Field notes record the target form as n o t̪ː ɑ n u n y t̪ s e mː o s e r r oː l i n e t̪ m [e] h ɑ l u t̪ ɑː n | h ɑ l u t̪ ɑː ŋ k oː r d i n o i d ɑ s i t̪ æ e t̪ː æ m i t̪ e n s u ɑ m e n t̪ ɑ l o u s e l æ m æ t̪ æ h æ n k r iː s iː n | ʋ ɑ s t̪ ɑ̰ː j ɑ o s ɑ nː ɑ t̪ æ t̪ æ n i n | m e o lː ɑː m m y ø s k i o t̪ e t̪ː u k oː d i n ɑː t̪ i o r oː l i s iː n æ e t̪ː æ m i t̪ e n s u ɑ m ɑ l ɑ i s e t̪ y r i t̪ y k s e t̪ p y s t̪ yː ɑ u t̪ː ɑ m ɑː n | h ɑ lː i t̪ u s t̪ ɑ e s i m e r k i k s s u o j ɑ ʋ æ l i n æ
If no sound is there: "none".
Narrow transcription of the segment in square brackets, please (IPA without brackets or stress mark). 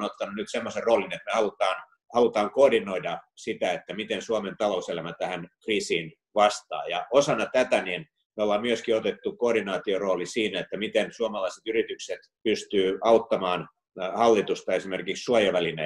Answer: e